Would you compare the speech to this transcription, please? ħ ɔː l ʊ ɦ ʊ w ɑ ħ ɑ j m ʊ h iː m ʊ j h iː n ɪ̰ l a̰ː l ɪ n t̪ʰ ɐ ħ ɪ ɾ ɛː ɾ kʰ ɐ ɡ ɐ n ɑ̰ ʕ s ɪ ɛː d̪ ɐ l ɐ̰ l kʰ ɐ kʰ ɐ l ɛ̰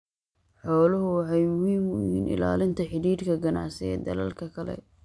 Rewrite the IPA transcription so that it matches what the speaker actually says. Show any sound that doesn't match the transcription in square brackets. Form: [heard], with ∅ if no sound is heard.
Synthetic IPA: ħ ɔː l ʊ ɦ ʊ w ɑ ħ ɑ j m ʊ h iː m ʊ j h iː n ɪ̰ l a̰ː l ɪ n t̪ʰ ɐ ħ ɪ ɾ [iː] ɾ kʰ ɐ ɡ ɐ n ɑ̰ ʕ s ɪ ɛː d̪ ɐ l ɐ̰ l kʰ ɐ kʰ ɐ l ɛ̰

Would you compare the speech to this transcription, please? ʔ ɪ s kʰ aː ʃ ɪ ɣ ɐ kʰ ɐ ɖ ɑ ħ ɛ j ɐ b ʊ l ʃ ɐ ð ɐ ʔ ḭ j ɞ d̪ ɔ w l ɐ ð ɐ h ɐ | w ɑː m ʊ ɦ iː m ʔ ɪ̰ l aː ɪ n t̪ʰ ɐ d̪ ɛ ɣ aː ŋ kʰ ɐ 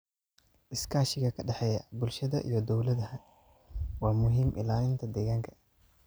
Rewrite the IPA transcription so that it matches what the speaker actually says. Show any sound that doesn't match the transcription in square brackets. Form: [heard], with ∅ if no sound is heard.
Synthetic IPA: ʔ ɪ s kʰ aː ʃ ɪ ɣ ɐ kʰ ɐ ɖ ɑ ħ ɛ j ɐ b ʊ l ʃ ɐ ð ɐ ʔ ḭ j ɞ d̪ ɔ w l ɐ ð ɐ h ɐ | w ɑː m ʊ ɦ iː m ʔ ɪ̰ l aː ɪ n t̪ʰ ɐ d̪ ɛ ɣ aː ŋ kʰ ɐ

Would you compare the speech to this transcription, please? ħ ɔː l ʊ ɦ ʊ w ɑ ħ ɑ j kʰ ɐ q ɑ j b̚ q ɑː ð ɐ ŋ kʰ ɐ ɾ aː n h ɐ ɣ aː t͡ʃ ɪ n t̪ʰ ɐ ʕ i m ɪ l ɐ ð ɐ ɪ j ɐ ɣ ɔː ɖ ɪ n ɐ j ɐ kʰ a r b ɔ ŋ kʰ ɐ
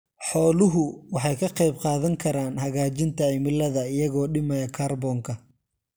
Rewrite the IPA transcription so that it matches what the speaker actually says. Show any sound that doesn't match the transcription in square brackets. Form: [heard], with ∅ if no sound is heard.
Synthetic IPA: ħ ɔː l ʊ ɦ ʊ w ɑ ħ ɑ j kʰ ɐ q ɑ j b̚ q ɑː ð ɐ ŋ kʰ ɐ ɾ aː n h ɐ ɣ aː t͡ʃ ɪ n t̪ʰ ɐ ʕ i m ɪ l ɐ ð ɐ ɪ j ɐ ɣ ɔː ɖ ɪ [m] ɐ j ɐ kʰ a r b ɔ ŋ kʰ ɐ

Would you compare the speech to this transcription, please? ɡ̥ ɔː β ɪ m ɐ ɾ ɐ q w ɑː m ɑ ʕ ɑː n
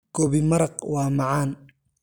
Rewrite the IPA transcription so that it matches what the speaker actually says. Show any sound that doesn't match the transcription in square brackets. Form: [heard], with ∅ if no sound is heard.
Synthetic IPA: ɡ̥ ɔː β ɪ m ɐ ɾ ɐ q w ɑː m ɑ ʕ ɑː n

